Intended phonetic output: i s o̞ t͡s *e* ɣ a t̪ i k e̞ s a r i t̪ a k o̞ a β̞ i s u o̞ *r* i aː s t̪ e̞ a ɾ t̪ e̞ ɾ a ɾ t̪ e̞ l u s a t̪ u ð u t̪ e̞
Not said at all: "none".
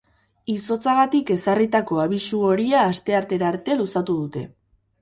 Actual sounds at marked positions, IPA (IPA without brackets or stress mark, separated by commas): a, ɾ